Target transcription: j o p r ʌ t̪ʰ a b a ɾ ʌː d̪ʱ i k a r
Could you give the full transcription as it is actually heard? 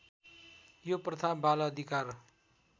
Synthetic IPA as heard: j o p r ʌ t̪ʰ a b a l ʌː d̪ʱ i k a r